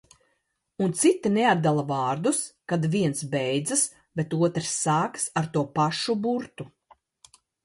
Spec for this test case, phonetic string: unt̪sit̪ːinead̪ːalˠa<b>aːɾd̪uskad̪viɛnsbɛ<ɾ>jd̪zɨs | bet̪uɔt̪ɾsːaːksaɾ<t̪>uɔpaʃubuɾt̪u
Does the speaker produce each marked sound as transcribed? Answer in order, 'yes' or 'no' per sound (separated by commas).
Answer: no, no, yes